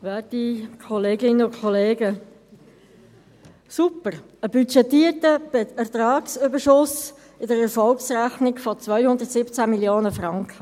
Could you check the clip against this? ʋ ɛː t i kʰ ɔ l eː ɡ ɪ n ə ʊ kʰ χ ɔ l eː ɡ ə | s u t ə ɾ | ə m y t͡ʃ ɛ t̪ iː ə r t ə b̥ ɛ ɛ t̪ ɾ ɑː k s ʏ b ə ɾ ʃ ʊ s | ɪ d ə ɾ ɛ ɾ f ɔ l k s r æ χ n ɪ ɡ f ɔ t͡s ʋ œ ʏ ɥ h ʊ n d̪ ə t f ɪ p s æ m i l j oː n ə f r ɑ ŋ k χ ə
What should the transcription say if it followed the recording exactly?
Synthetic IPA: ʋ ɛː t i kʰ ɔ l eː ɡ ɪ n ə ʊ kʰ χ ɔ l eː ɡ ə | s u p ə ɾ | ə b y t͡ʃ ɛ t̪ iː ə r t ə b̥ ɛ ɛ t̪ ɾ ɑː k s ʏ b ə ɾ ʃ ʊ s | ɪ d ə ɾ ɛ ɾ f ɔ l k s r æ χ n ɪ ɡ f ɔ t͡s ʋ œ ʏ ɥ h ʊ n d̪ ə t s ɪ p t͡s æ m i l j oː n ə f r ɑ ŋ k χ ə